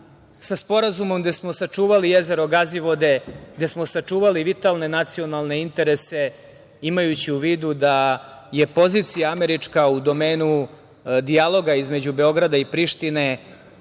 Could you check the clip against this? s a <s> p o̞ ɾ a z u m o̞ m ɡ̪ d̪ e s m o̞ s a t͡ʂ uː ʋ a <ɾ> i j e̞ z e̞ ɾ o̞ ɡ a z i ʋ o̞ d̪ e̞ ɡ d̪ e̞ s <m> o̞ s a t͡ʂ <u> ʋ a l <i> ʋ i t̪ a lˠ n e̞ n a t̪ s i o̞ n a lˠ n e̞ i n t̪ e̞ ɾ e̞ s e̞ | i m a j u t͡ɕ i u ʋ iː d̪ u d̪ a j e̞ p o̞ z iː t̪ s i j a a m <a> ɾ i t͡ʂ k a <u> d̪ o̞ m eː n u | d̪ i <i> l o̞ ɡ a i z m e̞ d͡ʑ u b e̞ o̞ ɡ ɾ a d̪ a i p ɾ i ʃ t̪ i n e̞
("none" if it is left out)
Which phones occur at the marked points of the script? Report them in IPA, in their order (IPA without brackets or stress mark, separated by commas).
s, l, m, uː, i, e, u, a